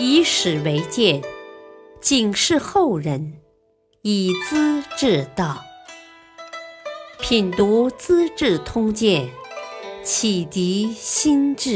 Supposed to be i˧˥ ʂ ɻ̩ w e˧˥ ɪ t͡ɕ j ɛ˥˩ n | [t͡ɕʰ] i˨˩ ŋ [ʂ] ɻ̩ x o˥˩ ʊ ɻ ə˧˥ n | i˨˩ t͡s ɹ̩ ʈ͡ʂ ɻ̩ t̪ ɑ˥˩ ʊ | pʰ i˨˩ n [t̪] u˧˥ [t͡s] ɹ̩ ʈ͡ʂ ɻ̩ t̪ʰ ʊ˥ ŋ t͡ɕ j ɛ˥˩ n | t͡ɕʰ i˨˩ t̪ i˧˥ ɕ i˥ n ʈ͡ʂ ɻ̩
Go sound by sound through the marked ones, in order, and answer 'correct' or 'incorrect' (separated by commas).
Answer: incorrect, correct, correct, correct